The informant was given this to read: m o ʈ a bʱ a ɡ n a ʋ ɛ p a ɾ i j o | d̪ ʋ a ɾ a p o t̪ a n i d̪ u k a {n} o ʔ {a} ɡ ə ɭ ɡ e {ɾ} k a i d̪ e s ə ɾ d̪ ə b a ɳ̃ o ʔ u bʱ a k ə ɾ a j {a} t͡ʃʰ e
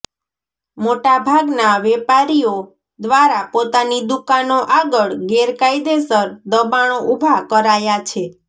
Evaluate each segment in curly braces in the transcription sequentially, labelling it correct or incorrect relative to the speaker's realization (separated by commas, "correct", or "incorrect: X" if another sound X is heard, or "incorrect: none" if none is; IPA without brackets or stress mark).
correct, correct, correct, correct